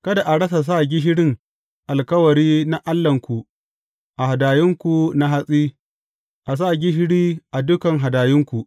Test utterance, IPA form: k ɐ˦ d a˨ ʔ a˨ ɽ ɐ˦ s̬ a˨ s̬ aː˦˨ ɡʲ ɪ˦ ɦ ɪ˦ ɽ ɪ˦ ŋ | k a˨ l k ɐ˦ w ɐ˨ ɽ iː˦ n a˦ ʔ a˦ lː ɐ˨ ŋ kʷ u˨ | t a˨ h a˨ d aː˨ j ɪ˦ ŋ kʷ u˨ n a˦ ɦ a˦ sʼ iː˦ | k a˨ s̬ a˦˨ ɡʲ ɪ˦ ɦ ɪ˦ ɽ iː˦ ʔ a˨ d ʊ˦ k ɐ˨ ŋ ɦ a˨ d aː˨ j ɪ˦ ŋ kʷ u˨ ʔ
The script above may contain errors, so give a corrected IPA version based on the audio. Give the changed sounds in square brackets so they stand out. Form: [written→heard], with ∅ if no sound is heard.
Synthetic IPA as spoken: k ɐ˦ d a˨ ʔ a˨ ɽ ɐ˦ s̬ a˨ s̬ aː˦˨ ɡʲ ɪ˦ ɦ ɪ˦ ɽ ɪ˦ ŋ | [k→ʔ] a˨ l k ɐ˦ w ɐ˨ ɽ iː˦ n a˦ ʔ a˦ lː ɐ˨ ŋ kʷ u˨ | [t→ʔ] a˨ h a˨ d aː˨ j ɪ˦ ŋ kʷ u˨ n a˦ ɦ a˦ sʼ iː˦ | [k→ʔ] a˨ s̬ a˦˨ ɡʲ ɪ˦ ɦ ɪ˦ ɽ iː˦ ʔ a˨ d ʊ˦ k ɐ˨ ŋ ɦ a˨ d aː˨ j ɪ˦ ŋ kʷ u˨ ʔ